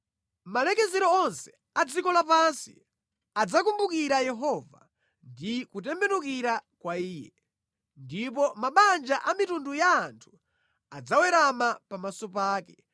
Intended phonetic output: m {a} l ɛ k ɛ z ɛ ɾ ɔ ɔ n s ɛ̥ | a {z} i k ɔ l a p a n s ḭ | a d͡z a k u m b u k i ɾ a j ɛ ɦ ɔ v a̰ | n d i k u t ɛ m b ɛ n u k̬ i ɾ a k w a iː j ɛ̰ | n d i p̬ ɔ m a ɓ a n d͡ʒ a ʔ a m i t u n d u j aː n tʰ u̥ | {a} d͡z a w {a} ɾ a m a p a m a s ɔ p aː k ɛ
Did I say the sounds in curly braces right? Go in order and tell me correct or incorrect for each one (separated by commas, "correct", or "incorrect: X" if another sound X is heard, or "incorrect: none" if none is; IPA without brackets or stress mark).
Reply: correct, incorrect: d͡z, correct, incorrect: ɛ